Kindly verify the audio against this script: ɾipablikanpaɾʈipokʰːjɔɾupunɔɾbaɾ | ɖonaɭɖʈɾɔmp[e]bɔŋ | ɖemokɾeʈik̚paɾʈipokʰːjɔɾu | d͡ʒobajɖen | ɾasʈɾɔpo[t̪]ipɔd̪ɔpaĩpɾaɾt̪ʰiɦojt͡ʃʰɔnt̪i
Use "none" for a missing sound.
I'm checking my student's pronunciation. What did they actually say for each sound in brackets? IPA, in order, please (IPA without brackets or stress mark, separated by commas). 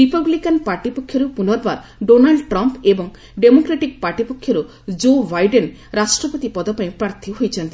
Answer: e, t̪